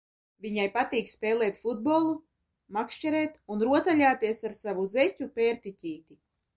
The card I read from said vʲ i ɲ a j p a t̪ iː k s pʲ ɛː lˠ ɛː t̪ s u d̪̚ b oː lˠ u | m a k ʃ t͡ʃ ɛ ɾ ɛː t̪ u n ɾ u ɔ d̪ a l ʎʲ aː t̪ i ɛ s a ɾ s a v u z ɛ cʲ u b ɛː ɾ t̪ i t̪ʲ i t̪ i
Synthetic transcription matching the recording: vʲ i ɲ a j p a t̪ iː k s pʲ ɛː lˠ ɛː t̪ f u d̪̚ b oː lˠ u | m a k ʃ t͡ʃ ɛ ɾ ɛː t̪ u n ɾ u ɔ t̪ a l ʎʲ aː t̪ i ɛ s a ɾ s a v u z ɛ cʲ u p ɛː ɾ t̪ i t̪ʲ iː t̪ i